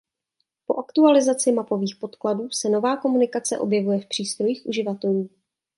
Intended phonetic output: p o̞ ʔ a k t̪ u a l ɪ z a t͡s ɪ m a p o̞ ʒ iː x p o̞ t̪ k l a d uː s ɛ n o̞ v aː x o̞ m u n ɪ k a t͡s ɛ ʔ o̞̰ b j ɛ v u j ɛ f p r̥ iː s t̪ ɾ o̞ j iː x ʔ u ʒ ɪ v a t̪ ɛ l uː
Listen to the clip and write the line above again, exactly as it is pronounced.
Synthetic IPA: p o̞ ʔ a k t̪ u a l ɪ z a t͡s ɪ m a p o̞ v iː x p o̞ t̪ k l a d uː s ɛ n o̞ v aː k o̞ m u n ɪ k a t͡s ɛ ʔ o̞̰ b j ɛ v u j ɛ f p r̥ iː s t̪ ɾ o̞ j iː x ʔ u ʒ ɪ v a t̪ ɛ l uː